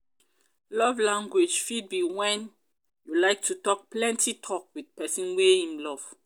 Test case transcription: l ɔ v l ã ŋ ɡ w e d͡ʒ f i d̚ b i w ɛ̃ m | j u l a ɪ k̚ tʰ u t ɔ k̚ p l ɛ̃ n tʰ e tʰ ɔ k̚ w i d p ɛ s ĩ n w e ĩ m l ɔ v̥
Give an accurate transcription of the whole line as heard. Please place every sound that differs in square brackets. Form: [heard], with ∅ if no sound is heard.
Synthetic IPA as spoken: l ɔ v l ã ŋ ɡ w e d͡ʒ f i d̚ b i w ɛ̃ [n] | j u l a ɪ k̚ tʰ u t ɔ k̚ p l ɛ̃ n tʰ [i] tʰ ɔ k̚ w i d p ɛ s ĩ n w e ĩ m l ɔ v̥